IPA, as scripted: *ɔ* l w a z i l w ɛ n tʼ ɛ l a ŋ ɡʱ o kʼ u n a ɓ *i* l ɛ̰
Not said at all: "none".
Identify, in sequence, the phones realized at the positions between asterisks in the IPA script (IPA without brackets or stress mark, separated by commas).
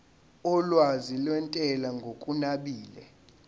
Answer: ɔ, iː